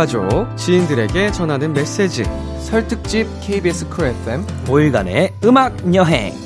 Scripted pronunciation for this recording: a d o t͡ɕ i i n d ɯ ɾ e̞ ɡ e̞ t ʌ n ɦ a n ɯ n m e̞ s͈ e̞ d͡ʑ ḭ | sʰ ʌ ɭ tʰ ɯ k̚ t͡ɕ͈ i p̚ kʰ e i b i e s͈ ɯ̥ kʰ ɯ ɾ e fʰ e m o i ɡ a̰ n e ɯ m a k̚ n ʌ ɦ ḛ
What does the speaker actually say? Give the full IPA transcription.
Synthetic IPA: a d͡ʑ o t͡ɕ i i n d ɯ ɾ e̞ ɡ e̞ t͡ɕ ʌ n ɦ a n ɯ n m e̞ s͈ e̞ d͡ʑ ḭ | sʰ ʌ ɭ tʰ ɯ k̚ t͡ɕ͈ i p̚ kʰ e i b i e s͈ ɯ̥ kʰ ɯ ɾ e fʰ e m o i ɡ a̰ n e ɯ m a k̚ ɲ ʌ ɦ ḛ